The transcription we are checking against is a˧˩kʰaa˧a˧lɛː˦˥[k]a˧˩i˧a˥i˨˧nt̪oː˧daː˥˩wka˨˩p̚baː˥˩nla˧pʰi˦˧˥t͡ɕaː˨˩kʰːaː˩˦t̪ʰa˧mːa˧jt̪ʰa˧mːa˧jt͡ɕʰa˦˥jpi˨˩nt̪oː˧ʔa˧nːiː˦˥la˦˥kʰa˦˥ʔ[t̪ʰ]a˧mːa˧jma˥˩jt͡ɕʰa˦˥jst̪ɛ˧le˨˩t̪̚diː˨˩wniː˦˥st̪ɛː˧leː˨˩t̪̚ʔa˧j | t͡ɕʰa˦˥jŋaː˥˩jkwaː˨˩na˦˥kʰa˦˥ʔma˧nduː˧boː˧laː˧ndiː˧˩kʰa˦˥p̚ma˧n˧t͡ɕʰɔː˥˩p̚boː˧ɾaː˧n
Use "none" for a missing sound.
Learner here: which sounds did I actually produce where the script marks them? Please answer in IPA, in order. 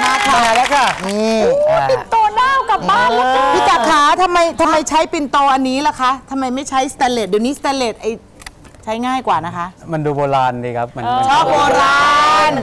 k, t̪ʰ

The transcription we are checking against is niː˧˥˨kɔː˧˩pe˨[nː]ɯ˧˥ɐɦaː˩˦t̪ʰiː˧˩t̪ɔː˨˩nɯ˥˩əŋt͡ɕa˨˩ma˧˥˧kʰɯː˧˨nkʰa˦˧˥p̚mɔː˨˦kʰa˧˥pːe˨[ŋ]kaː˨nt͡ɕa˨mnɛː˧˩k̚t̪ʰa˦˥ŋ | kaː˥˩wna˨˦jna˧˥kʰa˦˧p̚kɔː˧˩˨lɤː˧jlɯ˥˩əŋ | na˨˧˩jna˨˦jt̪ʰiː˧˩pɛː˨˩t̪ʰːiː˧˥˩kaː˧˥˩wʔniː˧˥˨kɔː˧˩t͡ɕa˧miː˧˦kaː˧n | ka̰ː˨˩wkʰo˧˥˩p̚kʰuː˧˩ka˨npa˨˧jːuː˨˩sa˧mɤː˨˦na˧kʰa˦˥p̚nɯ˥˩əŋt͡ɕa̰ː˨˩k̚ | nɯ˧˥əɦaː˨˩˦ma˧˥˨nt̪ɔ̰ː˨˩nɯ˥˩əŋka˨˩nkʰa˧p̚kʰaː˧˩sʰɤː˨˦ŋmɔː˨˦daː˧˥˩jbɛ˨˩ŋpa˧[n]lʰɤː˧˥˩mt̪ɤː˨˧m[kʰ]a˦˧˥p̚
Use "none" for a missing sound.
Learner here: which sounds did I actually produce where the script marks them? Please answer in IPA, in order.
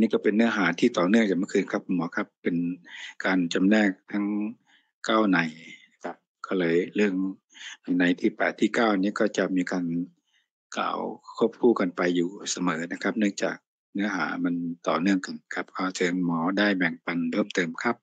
nː, n, n, kʰ

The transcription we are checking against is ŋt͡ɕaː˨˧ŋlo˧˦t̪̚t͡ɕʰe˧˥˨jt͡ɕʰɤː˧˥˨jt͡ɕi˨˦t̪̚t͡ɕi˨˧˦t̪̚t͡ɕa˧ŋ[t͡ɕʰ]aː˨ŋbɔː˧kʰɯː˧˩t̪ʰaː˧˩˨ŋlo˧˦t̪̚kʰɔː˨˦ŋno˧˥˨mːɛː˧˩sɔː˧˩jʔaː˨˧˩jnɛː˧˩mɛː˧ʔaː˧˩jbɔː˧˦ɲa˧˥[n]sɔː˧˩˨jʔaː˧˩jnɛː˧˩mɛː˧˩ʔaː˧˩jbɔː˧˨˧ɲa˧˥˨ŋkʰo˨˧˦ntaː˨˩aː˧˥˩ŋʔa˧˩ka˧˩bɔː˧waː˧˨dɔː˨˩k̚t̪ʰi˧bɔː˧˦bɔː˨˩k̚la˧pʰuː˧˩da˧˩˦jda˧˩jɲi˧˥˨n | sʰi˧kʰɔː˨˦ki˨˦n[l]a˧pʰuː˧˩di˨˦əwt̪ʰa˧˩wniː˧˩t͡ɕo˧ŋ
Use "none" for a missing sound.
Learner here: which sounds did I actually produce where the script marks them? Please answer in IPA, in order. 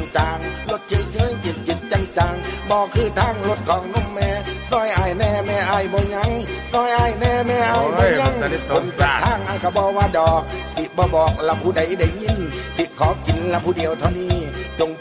t͡ɕ, ŋ, l

